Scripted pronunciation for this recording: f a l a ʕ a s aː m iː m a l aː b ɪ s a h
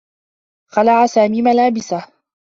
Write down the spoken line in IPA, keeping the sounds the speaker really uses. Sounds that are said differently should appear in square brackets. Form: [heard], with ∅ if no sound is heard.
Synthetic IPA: [x] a l a ʕ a s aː m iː m a l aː b ɪ s a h